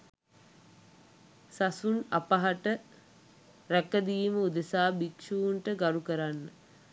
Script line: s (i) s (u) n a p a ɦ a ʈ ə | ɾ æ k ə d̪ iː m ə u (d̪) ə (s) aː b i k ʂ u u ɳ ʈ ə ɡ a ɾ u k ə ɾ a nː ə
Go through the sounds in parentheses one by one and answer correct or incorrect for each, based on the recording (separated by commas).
incorrect, correct, correct, correct